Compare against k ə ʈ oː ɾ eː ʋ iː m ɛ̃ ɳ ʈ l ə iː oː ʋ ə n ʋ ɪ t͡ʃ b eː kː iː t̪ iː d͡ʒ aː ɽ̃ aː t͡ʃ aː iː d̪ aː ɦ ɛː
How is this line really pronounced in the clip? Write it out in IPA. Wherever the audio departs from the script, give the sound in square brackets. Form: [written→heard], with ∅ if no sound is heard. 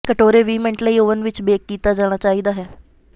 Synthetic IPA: k ə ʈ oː ɾ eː ʋ iː m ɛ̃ ɳ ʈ l ə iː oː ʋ ə n ʋ ɪ t͡ʃ b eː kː iː t̪ [iː→aː] d͡ʒ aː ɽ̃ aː t͡ʃ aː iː d̪ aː ɦ ɛː